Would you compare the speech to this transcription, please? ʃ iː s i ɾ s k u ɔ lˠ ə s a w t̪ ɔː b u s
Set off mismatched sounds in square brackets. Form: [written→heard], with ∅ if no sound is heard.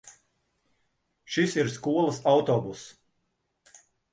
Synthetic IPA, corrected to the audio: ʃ [iː→i] s i ɾ s k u ɔ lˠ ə s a w t̪ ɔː b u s

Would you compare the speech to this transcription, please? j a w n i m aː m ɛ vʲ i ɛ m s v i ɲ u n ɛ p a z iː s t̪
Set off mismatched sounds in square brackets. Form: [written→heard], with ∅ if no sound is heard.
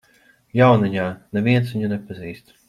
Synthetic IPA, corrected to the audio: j a w n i [m→ɲ] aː [m→n] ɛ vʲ i ɛ [m→n] s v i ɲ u n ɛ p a z iː s t̪

